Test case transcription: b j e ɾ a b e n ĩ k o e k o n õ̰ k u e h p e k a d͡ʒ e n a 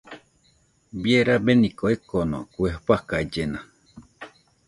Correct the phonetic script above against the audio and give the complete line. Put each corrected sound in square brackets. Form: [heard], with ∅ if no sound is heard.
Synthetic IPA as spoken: b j e ɾ a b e n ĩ k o e k o n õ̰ k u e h p [a] k a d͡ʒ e n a